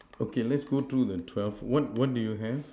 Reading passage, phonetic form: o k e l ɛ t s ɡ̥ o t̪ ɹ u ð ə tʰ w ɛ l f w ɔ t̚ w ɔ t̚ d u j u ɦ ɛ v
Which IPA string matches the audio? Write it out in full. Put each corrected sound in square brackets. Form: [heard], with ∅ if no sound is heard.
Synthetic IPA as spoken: o k e l ɛ t s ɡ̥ o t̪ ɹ u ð ə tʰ w ɛ l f w ɔ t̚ w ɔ t̚ d u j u ɦ ɛ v